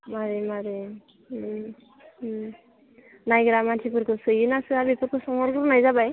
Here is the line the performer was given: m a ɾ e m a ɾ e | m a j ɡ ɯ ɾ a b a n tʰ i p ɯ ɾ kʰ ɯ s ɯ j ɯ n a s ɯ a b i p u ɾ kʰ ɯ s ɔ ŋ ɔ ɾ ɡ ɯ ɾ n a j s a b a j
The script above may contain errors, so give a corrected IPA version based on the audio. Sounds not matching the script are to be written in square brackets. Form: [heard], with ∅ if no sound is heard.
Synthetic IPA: m a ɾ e m a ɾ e | [n] a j ɡ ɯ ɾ a [m] a n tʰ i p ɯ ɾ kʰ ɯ s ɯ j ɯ n a s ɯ a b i p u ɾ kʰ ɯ s ɔ ŋ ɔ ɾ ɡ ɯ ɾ n a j [z] a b a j